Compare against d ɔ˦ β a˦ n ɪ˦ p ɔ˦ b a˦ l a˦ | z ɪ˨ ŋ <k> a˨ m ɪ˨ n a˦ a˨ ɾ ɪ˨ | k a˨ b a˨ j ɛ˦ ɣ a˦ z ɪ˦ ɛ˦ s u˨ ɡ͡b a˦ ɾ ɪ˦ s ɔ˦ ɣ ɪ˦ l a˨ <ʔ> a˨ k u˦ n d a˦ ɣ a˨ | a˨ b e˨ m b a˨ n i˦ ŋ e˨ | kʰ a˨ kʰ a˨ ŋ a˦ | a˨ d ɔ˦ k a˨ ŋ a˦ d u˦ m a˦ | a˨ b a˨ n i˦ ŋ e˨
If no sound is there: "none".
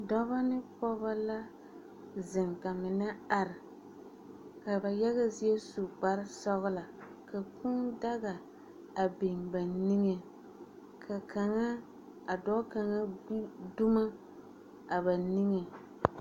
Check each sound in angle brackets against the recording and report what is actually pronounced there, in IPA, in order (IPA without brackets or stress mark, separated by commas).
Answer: k, k